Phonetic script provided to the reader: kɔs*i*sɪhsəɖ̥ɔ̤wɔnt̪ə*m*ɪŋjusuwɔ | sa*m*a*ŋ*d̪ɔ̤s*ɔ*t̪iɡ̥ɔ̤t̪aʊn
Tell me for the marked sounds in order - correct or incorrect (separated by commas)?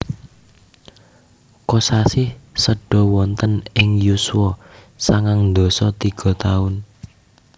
incorrect, incorrect, incorrect, correct, correct